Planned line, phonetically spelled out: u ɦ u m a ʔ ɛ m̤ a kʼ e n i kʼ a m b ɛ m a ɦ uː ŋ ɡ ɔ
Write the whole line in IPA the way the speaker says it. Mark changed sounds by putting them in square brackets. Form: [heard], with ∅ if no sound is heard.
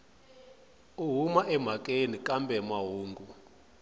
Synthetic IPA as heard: u ɦ u m a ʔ ɛ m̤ a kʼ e n i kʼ a m b ɛ m a ɦ uː ŋ ɡ [u]